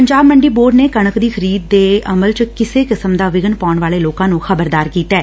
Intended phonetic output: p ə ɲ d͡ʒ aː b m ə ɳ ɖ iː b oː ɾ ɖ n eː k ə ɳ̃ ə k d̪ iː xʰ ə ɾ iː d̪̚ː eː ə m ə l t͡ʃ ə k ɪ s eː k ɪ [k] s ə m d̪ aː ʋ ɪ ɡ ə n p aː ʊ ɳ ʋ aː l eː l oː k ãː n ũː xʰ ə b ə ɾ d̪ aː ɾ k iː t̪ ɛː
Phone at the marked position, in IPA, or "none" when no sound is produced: none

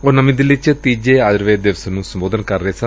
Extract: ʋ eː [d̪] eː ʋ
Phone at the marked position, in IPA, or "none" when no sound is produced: d̪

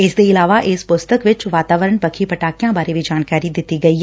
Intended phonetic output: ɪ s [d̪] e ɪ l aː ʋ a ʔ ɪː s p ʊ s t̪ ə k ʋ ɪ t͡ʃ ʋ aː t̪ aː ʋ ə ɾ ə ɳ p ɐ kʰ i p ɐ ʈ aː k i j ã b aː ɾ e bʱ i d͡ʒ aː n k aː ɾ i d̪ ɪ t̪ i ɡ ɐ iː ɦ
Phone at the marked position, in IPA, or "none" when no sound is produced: d̪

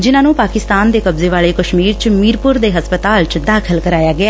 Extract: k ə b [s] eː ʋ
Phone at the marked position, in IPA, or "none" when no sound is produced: z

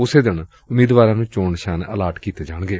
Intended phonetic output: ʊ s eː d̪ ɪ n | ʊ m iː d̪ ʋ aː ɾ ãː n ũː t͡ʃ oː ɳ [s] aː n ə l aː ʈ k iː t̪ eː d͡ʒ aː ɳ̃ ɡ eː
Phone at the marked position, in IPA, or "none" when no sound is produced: ʃ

